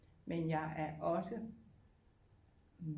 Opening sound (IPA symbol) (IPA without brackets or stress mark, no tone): m